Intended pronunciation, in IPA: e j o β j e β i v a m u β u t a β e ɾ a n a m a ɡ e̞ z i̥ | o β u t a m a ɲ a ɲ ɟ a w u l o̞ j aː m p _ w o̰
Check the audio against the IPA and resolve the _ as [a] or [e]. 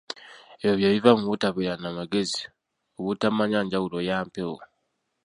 e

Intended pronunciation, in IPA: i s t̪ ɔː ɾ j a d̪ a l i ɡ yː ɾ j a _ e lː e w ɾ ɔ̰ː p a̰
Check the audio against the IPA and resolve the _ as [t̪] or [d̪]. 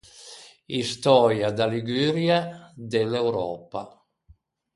d̪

